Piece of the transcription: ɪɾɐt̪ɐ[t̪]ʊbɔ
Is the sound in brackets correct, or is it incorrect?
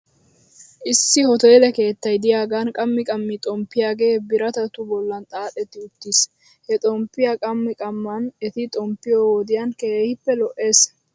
correct